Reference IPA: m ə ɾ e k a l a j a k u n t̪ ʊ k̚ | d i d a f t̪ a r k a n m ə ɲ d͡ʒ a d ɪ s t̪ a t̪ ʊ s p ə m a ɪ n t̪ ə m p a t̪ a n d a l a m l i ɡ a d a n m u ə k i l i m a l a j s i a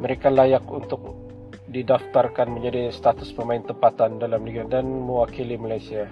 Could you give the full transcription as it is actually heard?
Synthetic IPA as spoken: m ə ɾ e k a l a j a k u n t̪ ʊ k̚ | d i d a f t̪ a r k a n m ə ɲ d͡ʒ a d i s t̪ a t̪ ʊ s p ə m a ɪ n t̪ ə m p a t̪ a n d a l a m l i ɡ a d a n m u a k i l i m a l a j s i a